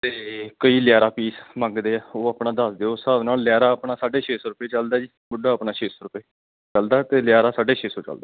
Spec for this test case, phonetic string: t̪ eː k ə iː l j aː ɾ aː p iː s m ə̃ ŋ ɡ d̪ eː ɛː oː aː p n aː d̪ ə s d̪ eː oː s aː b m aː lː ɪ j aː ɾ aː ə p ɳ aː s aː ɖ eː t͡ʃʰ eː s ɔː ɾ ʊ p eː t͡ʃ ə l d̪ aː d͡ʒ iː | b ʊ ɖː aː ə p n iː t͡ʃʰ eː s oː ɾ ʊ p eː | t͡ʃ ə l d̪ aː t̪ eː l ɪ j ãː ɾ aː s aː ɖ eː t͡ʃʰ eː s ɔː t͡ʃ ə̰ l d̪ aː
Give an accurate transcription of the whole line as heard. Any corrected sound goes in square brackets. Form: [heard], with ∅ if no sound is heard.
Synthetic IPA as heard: t̪ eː k ə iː l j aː ɾ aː p iː s m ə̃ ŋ ɡ d̪ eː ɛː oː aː p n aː d̪ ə s d̪ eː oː s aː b [n] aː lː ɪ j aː ɾ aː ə p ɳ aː s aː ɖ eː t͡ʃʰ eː s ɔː ɾ ʊ p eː t͡ʃ ə l d̪ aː d͡ʒ iː | b ʊ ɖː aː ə p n [aː] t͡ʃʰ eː s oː ɾ ʊ p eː | t͡ʃ ə l d̪ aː t̪ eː l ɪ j [aː] ɾ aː s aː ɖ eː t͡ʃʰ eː s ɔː t͡ʃ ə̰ l d̪ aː

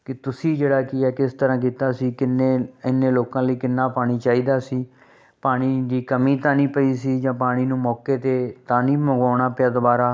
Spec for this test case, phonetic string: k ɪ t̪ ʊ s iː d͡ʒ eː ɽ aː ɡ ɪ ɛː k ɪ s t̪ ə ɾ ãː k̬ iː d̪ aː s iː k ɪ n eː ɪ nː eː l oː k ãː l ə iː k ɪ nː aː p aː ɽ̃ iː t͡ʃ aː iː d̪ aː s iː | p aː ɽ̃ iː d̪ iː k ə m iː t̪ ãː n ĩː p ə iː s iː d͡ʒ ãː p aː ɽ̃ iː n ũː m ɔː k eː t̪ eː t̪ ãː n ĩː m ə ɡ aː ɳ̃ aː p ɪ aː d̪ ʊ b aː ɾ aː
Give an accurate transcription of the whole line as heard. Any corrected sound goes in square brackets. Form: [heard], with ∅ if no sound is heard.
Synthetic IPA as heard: k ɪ t̪ ʊ s iː d͡ʒ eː ɽ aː [k] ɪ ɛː k ɪ s t̪ ə ɾ ãː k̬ iː [t̪] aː s iː k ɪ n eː ɪ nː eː l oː k ãː l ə iː k ɪ nː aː p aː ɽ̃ iː t͡ʃ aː iː d̪ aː s iː | p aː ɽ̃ iː d̪ iː k ə m iː t̪ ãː n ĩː p ə iː s iː d͡ʒ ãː p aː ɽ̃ iː n ũː m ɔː k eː t̪ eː t̪ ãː n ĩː m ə ɡ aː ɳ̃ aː p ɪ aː d̪ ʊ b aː ɾ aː

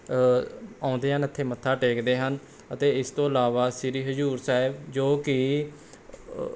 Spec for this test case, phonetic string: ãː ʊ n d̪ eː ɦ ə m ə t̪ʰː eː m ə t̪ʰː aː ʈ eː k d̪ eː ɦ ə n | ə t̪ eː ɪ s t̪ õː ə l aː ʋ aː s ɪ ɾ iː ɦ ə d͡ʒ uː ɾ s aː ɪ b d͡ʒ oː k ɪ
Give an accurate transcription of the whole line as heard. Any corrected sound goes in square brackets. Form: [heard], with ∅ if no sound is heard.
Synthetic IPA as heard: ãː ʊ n d̪ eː ɦ ə [n] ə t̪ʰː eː m ə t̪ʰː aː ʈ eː k d̪ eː ɦ ə n | ə t̪ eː ɪ s t̪ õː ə l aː ʋ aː s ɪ ɾ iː ɦ ə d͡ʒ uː ɾ s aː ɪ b d͡ʒ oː k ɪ

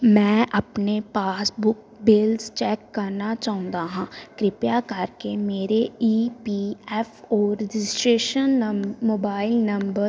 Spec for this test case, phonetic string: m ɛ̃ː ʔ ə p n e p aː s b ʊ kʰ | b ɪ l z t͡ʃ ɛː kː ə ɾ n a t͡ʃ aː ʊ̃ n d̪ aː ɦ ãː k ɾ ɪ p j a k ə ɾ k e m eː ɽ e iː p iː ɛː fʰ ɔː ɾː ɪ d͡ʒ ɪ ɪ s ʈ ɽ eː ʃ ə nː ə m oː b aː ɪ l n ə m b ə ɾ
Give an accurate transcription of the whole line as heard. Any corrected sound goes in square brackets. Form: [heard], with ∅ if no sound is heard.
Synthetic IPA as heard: m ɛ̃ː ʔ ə p n e p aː s b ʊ [k] | b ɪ l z t͡ʃ ɛː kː ə ɾ n a t͡ʃ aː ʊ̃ n d̪ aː ɦ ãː k ɾ ɪ p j a k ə ɾ k e m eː [ɾ] e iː p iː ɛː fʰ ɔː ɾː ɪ d͡ʒ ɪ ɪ s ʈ [ɾ] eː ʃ ə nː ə m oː b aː ɪ l n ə m b ə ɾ

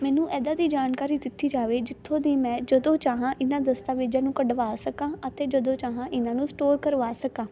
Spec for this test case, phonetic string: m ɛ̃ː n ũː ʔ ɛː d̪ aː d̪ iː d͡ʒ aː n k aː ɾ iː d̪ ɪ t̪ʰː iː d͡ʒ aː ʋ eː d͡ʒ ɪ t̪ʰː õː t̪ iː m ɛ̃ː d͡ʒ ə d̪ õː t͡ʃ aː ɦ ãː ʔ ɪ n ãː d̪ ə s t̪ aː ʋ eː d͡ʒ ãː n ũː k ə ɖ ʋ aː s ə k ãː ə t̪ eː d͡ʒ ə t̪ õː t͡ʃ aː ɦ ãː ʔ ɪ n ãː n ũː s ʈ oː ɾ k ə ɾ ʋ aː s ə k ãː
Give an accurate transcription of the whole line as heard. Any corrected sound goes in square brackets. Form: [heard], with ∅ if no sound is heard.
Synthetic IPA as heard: m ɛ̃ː n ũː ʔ ɛː d̪ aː d̪ iː d͡ʒ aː n k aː ɾ iː d̪ ɪ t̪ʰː iː d͡ʒ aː ʋ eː d͡ʒ ɪ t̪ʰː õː [d̪] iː m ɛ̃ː d͡ʒ ə d̪ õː t͡ʃ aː ɦ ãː ʔ ɪ n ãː d̪ ə s t̪ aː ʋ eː d͡ʒ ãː n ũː k ə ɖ ʋ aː s ə k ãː ə t̪ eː d͡ʒ ə [d̪] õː t͡ʃ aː ɦ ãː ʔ ɪ n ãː n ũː s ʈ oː ɾ k ə ɾ ʋ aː s ə k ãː

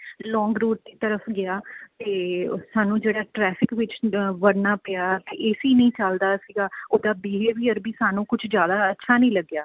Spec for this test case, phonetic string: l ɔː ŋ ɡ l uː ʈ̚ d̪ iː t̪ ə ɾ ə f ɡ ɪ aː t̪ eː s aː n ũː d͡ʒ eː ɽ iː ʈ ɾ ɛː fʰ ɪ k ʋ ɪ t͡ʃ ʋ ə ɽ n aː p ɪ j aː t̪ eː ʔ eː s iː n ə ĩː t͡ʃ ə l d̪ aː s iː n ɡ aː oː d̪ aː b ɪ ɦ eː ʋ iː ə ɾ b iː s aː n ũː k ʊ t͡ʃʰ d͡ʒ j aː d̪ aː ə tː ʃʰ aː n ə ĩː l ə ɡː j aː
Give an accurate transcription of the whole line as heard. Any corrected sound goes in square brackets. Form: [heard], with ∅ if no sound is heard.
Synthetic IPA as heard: l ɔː ŋ ɡ [ɾ] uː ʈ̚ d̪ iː t̪ ə ɾ ə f ɡ ɪ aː t̪ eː s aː n ũː d͡ʒ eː ɽ [aː] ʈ ɾ ɛː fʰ ɪ k ʋ ɪ t͡ʃ ʋ ə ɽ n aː p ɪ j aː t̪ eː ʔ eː s iː n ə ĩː t͡ʃ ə l d̪ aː s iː [∅] ɡ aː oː d̪ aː b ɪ ɦ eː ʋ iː ə ɾ b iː s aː n ũː k ʊ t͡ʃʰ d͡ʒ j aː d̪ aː ə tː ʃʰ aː n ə ĩː l ə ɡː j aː

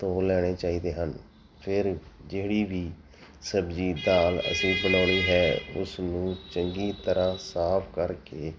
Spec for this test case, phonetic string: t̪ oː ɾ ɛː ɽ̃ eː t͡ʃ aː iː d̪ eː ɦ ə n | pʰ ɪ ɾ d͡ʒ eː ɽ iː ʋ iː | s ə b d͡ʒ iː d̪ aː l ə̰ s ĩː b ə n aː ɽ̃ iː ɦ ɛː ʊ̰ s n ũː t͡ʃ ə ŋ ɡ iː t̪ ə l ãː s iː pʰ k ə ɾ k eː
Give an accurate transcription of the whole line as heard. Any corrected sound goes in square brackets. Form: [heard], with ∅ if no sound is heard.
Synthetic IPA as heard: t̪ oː [l] ɛː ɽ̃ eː t͡ʃ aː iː d̪ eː ɦ ə n | pʰ ɪ ɾ d͡ʒ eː ɽ iː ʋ iː | s ə b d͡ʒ iː d̪ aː l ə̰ s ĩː b ə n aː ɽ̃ iː ɦ ɛː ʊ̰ s n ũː t͡ʃ ə ŋ ɡ iː t̪ ə [ɾ] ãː s [aː] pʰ k ə ɾ k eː

